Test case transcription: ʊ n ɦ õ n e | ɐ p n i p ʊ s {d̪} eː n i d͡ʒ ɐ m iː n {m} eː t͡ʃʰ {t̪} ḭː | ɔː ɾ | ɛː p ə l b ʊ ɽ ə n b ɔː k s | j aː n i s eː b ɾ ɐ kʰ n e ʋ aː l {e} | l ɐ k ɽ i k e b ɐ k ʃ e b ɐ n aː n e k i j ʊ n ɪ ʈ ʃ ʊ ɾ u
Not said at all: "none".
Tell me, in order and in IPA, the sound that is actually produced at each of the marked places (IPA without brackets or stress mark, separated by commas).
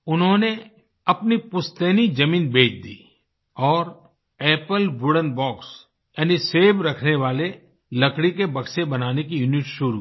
t̪, b, d̪, e